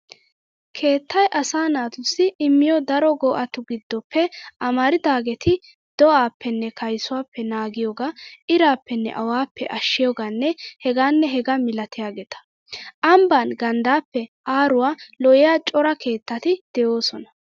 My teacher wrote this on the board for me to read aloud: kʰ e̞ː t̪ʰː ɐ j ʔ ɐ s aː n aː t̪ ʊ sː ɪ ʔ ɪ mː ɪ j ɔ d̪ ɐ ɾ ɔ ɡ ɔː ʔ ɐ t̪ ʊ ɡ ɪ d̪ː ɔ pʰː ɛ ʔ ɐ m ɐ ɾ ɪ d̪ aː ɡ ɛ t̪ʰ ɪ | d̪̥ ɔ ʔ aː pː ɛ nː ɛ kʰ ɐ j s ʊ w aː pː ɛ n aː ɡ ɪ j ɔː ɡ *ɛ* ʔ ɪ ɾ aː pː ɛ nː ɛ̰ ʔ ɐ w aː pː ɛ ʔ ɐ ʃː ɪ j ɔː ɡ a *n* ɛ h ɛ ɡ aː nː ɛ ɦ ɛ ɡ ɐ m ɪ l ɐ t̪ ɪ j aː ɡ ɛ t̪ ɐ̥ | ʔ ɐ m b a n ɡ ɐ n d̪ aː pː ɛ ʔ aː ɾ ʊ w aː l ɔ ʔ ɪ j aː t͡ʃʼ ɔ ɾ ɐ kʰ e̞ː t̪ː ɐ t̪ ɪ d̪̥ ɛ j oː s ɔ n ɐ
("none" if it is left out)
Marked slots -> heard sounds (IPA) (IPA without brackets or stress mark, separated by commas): a, nː